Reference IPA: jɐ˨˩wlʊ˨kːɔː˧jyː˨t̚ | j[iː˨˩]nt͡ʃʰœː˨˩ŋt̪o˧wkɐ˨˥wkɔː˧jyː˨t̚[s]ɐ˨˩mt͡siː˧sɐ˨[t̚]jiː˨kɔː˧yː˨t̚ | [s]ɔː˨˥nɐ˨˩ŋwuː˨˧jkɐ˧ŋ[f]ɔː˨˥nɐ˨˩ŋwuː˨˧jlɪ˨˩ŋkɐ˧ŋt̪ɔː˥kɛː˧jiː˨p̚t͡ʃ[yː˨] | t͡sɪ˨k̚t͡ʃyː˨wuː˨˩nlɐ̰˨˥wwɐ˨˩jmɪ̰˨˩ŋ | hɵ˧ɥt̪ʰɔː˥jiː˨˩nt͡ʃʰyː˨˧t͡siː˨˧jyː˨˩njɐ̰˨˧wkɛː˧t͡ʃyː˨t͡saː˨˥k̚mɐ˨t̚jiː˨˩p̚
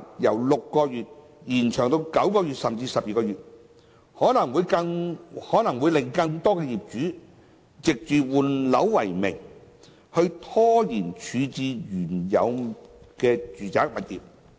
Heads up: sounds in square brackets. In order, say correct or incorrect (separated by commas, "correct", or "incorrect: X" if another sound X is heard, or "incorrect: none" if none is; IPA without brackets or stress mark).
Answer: correct, correct, incorrect: p̚, incorrect: h, incorrect: h, incorrect: yː˨˥